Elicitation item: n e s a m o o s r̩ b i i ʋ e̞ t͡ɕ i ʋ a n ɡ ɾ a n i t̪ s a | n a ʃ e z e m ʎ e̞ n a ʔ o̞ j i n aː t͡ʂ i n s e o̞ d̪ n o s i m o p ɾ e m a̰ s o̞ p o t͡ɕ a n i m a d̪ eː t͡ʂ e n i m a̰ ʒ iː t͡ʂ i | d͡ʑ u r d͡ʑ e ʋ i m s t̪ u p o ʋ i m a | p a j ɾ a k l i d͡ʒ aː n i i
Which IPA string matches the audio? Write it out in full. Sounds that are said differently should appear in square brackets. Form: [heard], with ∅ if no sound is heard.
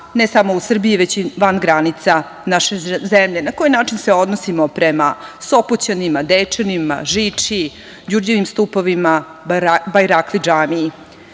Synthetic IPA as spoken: n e s a m o [u] s r̩ b i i ʋ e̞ t͡ɕ i ʋ a n ɡ ɾ a n i t̪ s a | n a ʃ e z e m ʎ e̞ n a [k] o̞ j i n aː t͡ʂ i n s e o̞ d̪ n o s i m o p ɾ e m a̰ s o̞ p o t͡ɕ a n i m a d̪ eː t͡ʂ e n i m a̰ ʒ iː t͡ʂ i | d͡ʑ u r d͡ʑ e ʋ i m s t̪ u p o ʋ i m a | [b] a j ɾ a k l i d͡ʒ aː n i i

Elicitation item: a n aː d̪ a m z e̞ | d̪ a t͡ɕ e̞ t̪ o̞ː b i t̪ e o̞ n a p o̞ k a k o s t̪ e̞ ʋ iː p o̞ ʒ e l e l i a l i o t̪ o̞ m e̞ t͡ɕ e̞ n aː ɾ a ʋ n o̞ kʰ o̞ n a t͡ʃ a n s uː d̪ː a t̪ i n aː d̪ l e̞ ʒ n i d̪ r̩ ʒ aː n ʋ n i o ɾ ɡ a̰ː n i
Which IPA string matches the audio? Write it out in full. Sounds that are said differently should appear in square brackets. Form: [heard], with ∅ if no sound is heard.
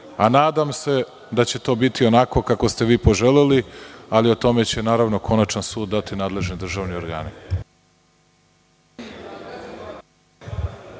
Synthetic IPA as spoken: a n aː d̪ a m [s] e̞ | d̪ a t͡ɕ e̞ t̪ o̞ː b i t̪ [i] o̞ n a [k] o̞ k a k o s t̪ e̞ ʋ iː p o̞ ʒ e l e l i a l i o t̪ o̞ m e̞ t͡ɕ e̞ n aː ɾ a ʋ n o̞ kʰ o̞ n a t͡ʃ a n s uː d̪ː a t̪ i n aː d̪ l e̞ ʒ n i d̪ r̩ ʒ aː [∅] ʋ n i o ɾ ɡ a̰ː n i

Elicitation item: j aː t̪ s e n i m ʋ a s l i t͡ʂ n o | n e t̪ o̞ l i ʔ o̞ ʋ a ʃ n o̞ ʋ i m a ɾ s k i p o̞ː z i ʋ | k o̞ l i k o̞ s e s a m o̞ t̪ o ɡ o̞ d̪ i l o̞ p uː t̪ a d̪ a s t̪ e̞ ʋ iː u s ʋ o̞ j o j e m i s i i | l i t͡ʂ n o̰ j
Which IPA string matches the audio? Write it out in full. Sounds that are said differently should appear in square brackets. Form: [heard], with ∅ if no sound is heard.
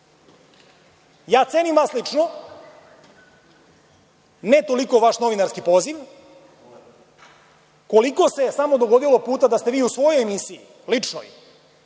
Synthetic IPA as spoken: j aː t̪ s e n i m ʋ a s l i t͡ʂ n o | n e t̪ o̞ l i [k] o̞ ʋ a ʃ n o̞ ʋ i [n] a ɾ s k i p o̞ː z i ʋ | k o̞ l i k o̞ s e s a m o̞ [d̪] o ɡ o̞ d̪ i l o̞ p uː t̪ a d̪ a s t̪ e̞ ʋ iː u s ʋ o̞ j o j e m i s i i | l i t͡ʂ n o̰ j

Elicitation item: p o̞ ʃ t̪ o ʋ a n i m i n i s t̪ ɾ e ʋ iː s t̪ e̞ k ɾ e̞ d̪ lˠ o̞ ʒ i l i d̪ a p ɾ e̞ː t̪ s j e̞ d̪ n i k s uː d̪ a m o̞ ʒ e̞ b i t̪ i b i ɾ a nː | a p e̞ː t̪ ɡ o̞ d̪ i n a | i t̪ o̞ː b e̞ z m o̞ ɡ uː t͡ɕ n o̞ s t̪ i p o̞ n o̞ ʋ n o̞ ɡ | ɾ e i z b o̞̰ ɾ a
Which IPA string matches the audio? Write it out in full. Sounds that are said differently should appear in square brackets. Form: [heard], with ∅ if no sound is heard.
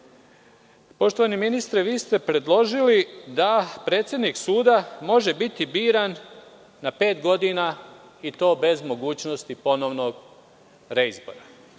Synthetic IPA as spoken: p o̞ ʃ t̪ o ʋ a n i m i n i s t̪ ɾ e ʋ iː s t̪ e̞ [p] ɾ e̞ d̪ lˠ o̞ ʒ i l i d̪ a p ɾ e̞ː t̪ s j e̞ d̪ n i k s uː d̪ a m o̞ ʒ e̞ b i t̪ i b [iː] ɾ a nː | a p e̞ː t̪ ɡ o̞ d̪ i n a | i t̪ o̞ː b e̞ z m o̞ ɡ uː t͡ɕ n o̞ s t̪ i p o̞ n o̞ ʋ n o̞ ɡ | ɾ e i z b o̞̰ ɾ a

